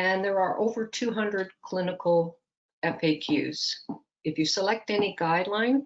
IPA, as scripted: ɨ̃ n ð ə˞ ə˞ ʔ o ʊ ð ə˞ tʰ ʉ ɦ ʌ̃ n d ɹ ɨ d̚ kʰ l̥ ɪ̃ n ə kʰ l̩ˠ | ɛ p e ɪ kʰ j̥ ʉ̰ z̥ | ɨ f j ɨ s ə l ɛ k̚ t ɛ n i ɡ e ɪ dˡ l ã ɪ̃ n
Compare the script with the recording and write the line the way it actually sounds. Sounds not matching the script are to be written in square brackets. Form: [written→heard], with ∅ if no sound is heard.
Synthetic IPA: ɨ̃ n ð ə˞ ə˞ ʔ o ʊ [ð→v] ə˞ tʰ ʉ ɦ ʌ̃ n d ɹ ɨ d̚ kʰ l̥ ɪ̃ n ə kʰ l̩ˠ | ɛ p e ɪ kʰ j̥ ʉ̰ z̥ | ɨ f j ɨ s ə l ɛ k̚ t ɛ n i ɡ [e→a] ɪ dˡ l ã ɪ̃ n